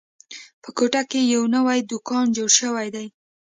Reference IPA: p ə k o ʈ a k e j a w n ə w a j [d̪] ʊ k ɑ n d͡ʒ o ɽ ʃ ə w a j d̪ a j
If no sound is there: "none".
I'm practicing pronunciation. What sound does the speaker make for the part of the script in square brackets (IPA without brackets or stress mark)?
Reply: d̪